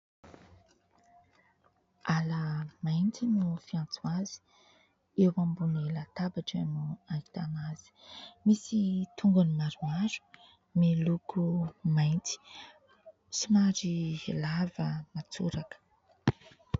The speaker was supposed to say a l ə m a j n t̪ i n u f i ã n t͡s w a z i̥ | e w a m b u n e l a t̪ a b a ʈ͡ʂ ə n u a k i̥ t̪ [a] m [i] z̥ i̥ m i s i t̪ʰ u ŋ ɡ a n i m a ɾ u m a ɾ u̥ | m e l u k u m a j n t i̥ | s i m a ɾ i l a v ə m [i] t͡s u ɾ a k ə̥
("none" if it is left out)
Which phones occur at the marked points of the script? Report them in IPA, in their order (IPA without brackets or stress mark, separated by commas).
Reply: a, a, a